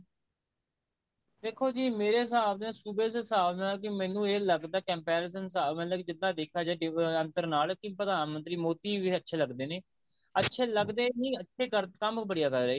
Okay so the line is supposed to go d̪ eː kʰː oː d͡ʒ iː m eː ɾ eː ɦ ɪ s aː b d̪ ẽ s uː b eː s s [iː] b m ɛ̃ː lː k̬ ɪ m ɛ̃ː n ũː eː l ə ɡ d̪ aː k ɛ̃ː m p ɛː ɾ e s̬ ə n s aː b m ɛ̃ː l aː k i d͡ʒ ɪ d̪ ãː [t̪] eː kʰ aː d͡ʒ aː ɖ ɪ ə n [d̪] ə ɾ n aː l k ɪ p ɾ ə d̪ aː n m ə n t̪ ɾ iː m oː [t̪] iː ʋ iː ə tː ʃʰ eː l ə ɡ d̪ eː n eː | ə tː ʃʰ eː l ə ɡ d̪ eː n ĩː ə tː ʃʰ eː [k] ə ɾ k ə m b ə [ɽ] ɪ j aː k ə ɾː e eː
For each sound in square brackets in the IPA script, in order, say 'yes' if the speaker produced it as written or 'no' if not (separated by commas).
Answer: no, no, no, yes, yes, yes